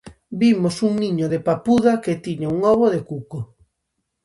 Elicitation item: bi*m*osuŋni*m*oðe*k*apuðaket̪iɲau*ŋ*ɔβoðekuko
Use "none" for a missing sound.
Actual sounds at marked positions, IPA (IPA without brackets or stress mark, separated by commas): m, ɲ, p, ŋ